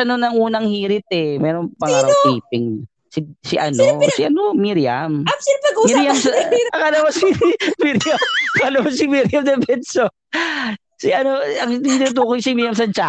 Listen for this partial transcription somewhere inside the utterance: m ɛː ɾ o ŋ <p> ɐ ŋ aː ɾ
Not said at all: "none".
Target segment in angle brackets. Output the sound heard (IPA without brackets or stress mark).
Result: p